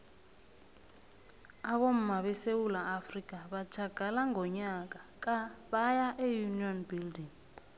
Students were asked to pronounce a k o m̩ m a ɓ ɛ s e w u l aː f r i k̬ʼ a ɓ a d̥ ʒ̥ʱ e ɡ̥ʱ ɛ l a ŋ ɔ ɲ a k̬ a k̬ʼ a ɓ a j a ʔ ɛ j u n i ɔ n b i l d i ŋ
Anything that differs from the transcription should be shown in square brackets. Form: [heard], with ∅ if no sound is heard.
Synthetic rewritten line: a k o m̩ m a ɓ ɛ s e w u l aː f r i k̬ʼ a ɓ a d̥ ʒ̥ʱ [a] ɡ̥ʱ [a] l a ŋ ɔ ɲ a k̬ a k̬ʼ a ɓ a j a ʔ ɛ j u n i ɔ n b i l d i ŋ